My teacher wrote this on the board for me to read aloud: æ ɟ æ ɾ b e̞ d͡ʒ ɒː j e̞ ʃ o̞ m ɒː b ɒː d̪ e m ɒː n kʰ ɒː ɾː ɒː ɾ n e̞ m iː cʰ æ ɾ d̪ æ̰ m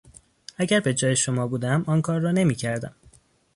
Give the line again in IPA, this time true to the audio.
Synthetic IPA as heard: æ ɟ æ ɾ b e̞ d͡ʒ ɒː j e̞ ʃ o̞ m ɒː b uː d̪ æ m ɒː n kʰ ɒː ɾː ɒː n e̞ m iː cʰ æ ɾ d̪ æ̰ m